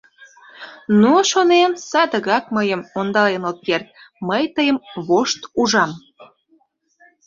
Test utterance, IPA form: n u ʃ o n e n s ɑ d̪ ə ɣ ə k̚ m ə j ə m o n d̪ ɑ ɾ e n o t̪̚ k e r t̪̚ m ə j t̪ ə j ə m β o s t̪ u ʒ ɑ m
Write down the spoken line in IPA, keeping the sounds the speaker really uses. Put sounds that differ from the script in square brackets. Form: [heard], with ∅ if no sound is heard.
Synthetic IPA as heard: n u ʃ o n e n s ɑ d̪ ə ɣ [ɑ] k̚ m ə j ə m o n d̪ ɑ [l] e n o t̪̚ k e r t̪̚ m ə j t̪ ə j ə m β o [ʃ] t̪ u ʒ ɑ m